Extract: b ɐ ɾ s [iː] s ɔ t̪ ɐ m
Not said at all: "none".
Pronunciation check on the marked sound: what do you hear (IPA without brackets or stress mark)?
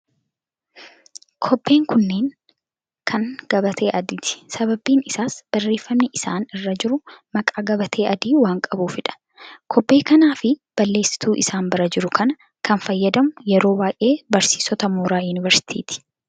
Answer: iː